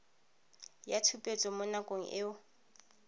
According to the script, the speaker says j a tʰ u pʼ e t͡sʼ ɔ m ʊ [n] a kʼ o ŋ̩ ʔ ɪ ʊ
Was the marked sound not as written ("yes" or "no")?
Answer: no